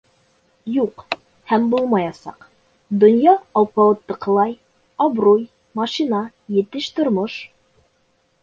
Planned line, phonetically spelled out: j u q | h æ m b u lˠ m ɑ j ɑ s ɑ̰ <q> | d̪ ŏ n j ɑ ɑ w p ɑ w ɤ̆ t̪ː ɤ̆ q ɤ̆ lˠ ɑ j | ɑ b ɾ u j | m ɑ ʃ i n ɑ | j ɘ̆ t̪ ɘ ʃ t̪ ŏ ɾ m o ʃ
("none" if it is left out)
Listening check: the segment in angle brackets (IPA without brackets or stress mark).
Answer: q